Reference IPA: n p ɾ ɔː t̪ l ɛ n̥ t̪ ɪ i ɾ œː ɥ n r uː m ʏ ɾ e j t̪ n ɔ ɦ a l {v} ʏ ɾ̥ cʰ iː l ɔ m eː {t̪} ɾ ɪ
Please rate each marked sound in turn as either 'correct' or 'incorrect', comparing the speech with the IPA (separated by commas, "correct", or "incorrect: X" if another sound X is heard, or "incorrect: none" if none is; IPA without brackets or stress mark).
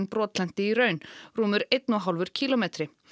correct, correct